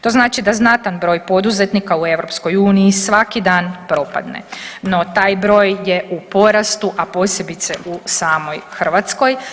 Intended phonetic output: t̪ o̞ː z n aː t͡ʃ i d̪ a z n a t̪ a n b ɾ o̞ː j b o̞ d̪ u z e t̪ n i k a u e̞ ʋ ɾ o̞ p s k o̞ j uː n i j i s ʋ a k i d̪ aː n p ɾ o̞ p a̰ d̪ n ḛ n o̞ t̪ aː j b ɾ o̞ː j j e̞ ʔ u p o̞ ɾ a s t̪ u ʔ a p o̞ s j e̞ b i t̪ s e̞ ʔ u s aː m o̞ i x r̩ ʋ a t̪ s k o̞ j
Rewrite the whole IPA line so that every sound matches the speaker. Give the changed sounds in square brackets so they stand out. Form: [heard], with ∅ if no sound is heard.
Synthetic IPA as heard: t̪ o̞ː z n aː t͡ʃ i d̪ a z n a t̪ a n b ɾ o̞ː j [p] o̞ d̪ u z e t̪ n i k a u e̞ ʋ ɾ o̞ p s k o̞ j uː n i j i s ʋ a k i d̪ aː n p ɾ o̞ p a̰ d̪ n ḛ n o̞ t̪ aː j b ɾ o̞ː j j e̞ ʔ u p o̞ ɾ a s t̪ u ʔ a p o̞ s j e̞ b i t̪ s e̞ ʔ u s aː m o̞ [j] x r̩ ʋ a t̪ s k o̞ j